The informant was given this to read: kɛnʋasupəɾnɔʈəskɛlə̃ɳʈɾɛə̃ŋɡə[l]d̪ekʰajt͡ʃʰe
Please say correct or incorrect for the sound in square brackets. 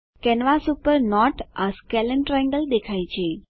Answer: correct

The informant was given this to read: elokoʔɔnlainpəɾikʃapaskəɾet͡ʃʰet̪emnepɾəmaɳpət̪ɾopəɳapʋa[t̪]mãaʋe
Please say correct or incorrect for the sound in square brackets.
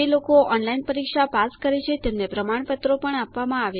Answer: incorrect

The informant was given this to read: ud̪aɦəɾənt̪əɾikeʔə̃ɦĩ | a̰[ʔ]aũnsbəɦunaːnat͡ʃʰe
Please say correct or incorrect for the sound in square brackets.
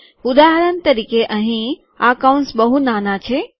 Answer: incorrect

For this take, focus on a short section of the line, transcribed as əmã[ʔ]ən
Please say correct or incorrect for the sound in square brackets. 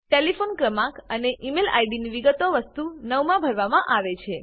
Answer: incorrect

